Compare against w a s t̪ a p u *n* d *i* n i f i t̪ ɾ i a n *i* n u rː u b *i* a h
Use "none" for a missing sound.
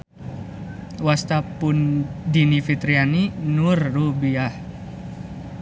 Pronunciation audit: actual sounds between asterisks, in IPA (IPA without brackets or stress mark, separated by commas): n, i, i, i